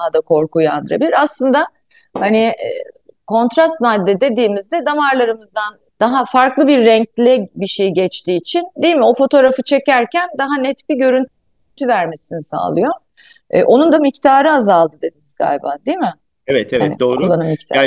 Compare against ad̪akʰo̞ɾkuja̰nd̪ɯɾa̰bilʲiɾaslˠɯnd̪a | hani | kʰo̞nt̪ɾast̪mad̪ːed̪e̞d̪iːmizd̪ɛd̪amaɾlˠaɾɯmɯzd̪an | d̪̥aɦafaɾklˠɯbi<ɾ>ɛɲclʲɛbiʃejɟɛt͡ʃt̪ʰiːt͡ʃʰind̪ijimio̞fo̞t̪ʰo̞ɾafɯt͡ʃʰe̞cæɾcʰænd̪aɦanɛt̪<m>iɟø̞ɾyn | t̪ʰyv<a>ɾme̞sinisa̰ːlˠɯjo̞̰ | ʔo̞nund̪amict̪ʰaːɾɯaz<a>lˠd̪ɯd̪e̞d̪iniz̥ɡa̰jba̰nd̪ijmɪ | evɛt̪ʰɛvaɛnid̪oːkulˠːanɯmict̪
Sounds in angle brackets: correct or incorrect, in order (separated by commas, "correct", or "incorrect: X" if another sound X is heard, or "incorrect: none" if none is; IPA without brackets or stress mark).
incorrect: ɾː, incorrect: b, incorrect: æ, correct